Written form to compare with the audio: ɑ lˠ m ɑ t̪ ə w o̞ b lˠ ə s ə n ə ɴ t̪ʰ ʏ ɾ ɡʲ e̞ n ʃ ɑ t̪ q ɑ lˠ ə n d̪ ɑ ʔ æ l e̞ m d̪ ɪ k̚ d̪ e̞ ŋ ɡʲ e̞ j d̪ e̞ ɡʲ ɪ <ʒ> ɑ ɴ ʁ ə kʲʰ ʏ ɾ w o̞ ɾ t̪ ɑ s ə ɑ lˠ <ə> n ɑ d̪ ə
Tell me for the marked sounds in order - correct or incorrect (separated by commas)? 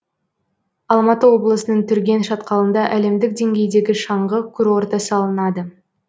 incorrect, correct